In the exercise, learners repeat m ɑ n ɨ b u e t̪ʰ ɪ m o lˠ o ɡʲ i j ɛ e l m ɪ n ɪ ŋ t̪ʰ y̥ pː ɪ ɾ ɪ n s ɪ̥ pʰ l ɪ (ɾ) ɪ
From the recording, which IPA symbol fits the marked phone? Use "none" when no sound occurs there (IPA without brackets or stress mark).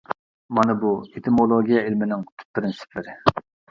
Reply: ɾ